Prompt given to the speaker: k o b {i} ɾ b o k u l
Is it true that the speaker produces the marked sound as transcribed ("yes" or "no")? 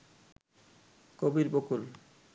yes